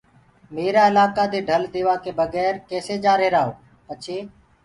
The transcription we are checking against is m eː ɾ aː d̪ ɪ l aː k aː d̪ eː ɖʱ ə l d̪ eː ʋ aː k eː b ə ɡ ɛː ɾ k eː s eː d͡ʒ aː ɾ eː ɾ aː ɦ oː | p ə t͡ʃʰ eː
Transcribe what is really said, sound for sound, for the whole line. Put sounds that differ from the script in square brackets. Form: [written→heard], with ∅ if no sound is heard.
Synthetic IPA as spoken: m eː ɾ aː [d̪→∅] ɪ l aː k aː d̪ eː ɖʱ ə l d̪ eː ʋ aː k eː b ə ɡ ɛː ɾ k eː s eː d͡ʒ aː ɾ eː ɾ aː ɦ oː | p ə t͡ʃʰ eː